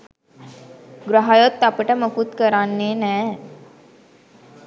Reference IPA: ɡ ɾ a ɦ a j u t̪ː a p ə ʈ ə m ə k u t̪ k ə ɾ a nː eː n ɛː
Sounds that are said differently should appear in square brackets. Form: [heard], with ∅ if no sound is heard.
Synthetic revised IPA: ɡ ɾ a ɦ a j [o] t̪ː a p ə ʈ ə m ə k u t̪ k ə ɾ a nː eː n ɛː